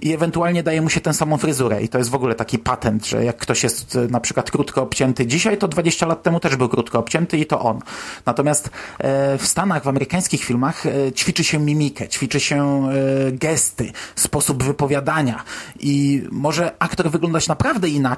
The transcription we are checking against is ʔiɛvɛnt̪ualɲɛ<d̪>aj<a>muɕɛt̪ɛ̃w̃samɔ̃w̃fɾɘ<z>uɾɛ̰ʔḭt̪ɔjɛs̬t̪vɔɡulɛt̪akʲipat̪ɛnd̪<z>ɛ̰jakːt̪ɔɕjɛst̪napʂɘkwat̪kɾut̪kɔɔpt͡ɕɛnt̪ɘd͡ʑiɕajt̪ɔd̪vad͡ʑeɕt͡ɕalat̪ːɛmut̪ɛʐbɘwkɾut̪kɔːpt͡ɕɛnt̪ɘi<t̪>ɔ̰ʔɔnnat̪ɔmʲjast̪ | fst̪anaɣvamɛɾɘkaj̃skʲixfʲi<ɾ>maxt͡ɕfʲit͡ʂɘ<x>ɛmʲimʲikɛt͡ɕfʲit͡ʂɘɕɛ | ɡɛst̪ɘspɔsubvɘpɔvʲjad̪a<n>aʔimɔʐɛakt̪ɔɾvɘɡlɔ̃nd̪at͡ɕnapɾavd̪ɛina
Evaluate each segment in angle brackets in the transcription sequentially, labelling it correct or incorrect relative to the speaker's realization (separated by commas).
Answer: correct, incorrect, correct, incorrect, correct, incorrect, incorrect, incorrect